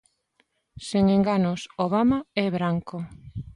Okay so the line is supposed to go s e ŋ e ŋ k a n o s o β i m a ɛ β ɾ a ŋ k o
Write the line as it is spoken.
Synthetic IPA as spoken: s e ŋ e ŋ ɡ a n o s o β a m a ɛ β ɾ a ŋ k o